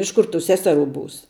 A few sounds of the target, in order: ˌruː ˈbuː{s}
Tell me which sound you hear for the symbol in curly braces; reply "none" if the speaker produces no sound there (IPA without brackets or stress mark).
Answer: s